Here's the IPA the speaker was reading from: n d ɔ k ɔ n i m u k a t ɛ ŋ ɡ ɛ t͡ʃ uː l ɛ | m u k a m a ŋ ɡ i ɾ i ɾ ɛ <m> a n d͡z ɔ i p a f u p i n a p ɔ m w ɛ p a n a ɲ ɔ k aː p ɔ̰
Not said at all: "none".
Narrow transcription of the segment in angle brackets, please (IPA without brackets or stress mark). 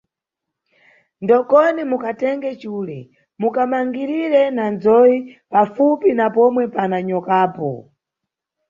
n